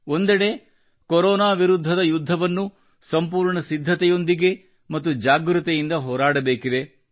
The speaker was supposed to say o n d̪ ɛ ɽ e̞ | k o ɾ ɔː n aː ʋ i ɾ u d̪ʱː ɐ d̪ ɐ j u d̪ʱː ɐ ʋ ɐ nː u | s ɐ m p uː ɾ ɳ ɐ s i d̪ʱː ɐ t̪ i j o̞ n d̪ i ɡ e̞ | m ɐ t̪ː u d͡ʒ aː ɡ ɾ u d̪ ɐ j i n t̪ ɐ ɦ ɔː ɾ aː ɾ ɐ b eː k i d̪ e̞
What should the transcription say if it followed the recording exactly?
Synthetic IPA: o n d̪ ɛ ɽ e̞ | k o ɾ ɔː n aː ʋ i ɾ u d̪ʱː ɐ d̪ ɐ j u d̪ʱː ɐ ʋ ɐ nː u | s ɐ m p uː ɾ ɳ ɐ s i d̪ʱː ɐ t̪ ɛ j o̞ n d̪ i ɡ e̞ | m ɐ t̪ː u d͡ʒ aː ɡ ɾ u t̪ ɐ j i n d̪ ɐ ɦ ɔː ɾ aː ɽ ɐ b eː k i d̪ e̞

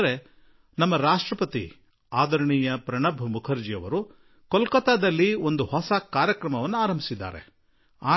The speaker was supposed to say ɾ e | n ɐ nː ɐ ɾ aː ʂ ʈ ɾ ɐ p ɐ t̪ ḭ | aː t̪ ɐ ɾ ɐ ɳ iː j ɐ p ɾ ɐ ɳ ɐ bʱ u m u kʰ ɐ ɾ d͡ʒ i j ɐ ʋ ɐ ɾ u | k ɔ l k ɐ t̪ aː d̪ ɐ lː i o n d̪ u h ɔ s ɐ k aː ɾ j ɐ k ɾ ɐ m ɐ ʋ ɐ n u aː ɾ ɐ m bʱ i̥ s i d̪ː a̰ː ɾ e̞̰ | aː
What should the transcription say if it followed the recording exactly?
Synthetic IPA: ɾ e | n ɐ mː ɐ ɾ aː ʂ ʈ ɾ ɐ p ɐ t̪ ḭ | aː d̪ ɐ ɾ ɐ ɳ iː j ɐ p ɾ ɐ ɳ ɐ bʱ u m u kʰ ɐ ɾ d͡ʒ i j ɐ ʋ ɐ ɾ u | k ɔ l k ɐ t̪ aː d̪ ɐ lː i o n d̪ u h ɔ s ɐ k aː ɾ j ɐ k ɾ ɐ m ɐ ʋ ɐ nː u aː ɾ ɐ m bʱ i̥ s i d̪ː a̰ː ɾ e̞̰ | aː

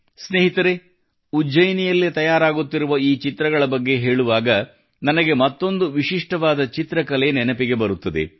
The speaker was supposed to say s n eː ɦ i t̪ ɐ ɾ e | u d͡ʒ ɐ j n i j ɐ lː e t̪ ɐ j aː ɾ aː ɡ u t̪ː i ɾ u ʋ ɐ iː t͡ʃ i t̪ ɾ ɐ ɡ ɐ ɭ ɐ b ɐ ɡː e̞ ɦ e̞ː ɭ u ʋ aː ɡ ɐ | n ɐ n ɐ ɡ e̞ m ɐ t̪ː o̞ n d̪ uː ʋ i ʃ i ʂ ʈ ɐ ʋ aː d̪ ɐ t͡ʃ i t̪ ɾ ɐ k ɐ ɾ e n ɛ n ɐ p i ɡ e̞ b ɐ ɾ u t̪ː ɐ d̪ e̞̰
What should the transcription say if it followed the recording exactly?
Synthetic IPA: s n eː ɦ i t̪ ɐ ɾ e | u d͡ʒ ɐ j n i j ɐ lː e t̪ ɐ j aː ɾ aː ɡ u t̪ː i ɾ u ʋ ɐ iː t͡ʃ i t̪ ɾ ɐ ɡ ɐ ɭ ɐ b ɐ ɡː e̞ ɦ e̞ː ɭ u ʋ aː ɡ ɐ | n ɐ n ɐ ɡ e̞ m ɐ t̪ː o̞ n d̪ u ʋ i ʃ i ʂ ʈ ɐ ʋ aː d̪ ɐ t͡ʃ i t̪ ɾ ɐ k ɐ l e n ɛ n ɐ p i ɡ e̞ b ɐ ɾ u t̪ː ɐ d̪ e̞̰

